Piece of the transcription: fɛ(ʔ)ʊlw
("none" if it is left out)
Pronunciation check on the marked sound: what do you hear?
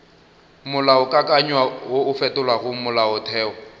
t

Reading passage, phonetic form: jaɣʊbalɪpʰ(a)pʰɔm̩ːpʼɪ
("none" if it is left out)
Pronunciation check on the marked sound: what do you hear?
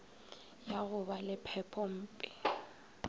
ɛ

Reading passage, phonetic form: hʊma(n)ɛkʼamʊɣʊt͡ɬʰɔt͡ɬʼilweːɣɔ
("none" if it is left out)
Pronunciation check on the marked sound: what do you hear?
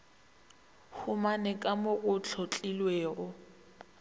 n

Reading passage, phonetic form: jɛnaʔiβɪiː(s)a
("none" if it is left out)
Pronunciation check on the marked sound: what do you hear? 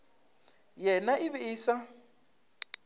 s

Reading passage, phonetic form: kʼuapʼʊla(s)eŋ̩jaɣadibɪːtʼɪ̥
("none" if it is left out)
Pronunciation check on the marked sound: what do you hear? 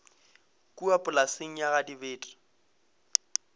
s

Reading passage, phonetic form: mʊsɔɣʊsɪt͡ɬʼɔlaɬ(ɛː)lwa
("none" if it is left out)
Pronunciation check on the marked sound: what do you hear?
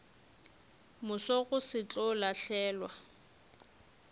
ɛː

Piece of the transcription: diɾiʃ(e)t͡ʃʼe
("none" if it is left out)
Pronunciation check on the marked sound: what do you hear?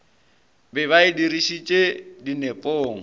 i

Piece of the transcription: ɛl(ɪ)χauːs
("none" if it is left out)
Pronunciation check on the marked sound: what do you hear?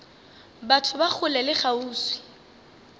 ɪ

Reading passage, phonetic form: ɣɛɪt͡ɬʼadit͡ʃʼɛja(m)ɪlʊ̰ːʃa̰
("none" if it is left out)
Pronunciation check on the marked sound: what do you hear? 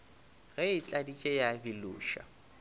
b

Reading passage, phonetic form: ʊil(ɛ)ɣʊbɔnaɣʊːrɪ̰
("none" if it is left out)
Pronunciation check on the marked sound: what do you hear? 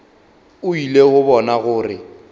e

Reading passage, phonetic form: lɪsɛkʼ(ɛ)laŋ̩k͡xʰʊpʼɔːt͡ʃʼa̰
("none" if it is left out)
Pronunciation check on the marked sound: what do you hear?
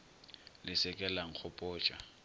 ɛ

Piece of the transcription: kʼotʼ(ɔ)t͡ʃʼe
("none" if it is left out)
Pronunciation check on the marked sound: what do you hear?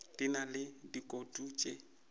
u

